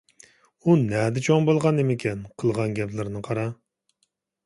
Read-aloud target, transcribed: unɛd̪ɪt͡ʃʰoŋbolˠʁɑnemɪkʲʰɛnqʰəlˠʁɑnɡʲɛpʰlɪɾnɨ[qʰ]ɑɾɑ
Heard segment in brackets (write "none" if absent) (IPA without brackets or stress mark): qʰ